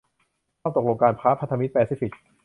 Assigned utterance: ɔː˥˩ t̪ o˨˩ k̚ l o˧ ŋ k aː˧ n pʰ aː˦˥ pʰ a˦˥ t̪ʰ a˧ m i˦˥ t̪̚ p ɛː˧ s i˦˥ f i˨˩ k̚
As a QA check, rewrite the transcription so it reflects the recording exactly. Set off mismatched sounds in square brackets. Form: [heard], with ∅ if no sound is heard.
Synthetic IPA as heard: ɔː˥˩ t̪ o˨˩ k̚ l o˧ ŋ k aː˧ n pʰ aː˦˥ pʰ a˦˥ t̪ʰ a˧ m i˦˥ t̪̚ p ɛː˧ s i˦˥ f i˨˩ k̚